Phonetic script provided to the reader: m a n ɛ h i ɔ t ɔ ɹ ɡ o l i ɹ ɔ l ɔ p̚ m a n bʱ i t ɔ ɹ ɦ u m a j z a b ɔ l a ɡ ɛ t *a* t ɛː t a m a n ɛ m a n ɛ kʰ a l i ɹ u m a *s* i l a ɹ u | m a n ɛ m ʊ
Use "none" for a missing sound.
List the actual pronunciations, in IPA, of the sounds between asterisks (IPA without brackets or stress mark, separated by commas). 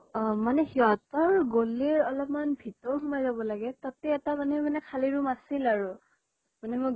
a, s